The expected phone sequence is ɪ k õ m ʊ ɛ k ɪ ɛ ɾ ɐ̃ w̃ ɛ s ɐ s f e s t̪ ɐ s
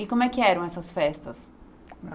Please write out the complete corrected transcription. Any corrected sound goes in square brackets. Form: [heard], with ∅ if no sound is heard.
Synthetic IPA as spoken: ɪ k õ m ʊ ɛ k ɪ ɛ ɾ ɐ̃ w̃ ɛ s ɐ s f [ɛ] s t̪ ɐ s